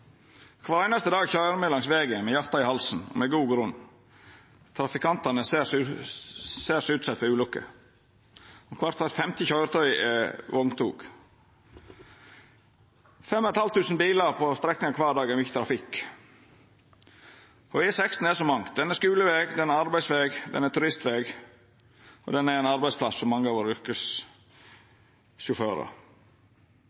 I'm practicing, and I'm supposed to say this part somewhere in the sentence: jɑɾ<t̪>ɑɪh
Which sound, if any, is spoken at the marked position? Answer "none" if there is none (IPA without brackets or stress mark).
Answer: t̪